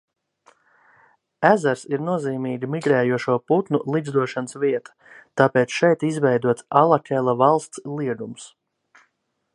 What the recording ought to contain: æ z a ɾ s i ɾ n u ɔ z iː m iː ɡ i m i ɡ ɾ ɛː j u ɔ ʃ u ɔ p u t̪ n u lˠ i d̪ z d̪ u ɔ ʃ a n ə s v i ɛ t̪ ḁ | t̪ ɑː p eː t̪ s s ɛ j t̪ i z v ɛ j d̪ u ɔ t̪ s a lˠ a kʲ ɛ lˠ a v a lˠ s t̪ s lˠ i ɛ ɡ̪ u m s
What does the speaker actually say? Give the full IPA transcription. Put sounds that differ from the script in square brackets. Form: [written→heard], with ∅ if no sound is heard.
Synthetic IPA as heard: æ z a ɾ s i ɾ n u ɔ z iː m iː ɡ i m i ɡ ɾ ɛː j u ɔ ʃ u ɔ p u t̪ n u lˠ i d̪ z d̪ u ɔ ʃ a n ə s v i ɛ t̪ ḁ | t̪ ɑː p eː t̪ s [s→ʃ] ɛ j t̪ i z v ɛ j d̪ u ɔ t̪ s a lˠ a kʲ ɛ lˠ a v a lˠ s t̪ s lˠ i ɛ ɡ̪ u m s